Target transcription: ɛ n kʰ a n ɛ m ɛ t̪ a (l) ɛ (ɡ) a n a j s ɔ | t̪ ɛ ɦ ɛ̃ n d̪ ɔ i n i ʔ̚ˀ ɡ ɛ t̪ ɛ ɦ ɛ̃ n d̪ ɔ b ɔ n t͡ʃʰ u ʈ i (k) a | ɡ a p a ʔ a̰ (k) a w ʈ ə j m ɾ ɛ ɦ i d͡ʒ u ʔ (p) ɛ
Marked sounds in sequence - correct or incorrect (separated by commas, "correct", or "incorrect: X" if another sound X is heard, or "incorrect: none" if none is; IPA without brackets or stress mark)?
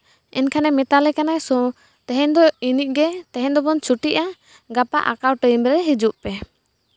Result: correct, incorrect: k, incorrect: ʔ, correct, correct